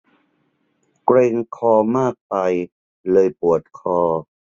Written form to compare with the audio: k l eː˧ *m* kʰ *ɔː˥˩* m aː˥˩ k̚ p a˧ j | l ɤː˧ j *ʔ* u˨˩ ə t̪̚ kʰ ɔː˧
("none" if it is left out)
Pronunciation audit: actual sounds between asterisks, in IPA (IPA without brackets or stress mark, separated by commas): ŋ, ɔː˧, p